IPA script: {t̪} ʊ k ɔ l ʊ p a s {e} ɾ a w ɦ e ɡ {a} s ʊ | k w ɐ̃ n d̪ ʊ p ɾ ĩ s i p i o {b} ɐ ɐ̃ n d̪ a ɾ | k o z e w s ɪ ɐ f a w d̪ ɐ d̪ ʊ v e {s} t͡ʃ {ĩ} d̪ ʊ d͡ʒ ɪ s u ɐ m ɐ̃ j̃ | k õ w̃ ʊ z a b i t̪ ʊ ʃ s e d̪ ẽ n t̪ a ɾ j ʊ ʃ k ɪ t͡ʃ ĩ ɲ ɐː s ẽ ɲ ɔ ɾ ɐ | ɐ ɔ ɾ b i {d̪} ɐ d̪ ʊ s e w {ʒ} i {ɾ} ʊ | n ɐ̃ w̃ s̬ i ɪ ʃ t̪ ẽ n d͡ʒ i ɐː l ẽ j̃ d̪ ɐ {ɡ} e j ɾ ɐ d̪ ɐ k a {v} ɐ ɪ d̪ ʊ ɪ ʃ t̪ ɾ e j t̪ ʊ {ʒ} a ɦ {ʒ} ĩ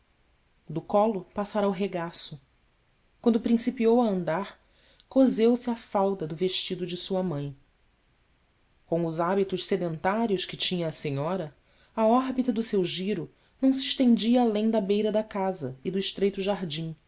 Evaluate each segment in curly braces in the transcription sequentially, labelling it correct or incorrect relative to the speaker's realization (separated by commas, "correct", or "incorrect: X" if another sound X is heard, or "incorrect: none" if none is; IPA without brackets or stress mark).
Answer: incorrect: d̪, incorrect: a, correct, incorrect: w, incorrect: ʃ, incorrect: i, incorrect: t̪, correct, correct, incorrect: b, incorrect: z, correct, incorrect: d͡ʒ